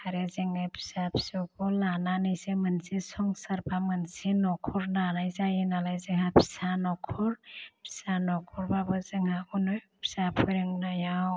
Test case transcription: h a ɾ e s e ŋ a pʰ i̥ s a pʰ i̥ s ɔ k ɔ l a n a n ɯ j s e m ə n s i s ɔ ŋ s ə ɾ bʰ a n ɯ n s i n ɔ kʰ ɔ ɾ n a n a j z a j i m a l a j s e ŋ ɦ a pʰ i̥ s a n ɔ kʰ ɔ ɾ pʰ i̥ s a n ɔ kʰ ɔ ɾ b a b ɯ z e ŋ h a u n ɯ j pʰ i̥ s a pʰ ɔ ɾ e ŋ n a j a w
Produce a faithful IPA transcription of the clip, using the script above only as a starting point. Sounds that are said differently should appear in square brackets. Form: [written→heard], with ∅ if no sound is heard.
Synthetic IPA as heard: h a ɾ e [s→z] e ŋ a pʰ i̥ s a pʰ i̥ s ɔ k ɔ l a n a n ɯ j s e m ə n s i s ɔ ŋ s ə ɾ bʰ a [n→m] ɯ n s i n ɔ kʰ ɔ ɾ n a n a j z a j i [m→n] a l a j [s→z] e ŋ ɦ a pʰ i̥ s a n ɔ kʰ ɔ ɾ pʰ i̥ s a n ɔ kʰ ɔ ɾ b a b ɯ z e ŋ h a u n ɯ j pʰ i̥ s a pʰ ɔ ɾ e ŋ n a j a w